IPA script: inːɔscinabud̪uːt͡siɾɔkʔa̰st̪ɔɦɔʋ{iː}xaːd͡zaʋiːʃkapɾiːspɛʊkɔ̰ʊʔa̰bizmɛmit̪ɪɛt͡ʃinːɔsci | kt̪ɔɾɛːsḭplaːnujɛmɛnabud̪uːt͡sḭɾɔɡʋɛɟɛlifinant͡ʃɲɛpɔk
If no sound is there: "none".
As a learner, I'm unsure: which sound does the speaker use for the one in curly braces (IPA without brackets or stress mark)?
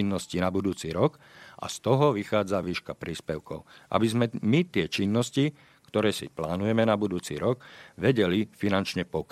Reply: i